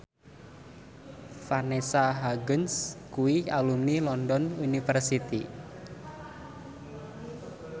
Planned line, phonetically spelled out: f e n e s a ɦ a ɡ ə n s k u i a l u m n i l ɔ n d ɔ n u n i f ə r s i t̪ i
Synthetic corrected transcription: f a n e s a ɦ a ɡ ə n s k u i a l u m n i l ɔ n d ɔ n u n i f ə r s i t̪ i